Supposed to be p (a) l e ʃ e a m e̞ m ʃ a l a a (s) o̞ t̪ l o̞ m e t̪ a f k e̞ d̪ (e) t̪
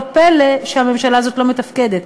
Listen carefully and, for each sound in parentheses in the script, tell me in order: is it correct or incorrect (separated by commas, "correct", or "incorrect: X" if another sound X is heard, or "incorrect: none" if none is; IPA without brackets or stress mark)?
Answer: incorrect: e, incorrect: z, correct